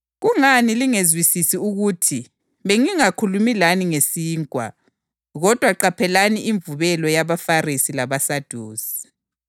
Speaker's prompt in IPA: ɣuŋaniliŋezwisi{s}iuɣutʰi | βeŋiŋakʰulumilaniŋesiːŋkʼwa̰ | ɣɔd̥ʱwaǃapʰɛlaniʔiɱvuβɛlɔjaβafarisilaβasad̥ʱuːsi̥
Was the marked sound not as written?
no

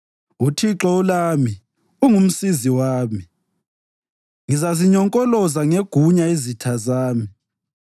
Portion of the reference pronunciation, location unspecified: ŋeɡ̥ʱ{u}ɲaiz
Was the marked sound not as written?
no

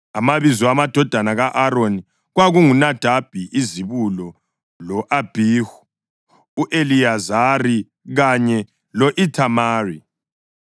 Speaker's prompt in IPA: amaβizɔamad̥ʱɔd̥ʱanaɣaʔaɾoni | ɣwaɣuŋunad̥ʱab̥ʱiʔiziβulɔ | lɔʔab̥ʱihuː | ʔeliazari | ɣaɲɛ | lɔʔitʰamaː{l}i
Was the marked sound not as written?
yes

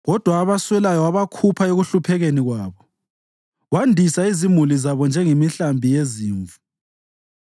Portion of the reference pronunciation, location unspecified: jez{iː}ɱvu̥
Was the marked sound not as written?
no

